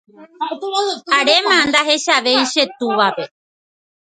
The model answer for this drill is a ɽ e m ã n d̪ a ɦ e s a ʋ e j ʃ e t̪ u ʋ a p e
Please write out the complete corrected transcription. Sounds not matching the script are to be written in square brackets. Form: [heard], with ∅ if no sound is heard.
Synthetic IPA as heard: a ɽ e m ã n d̪ a ɦ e [ʃ] a ʋ e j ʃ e t̪ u ʋ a p e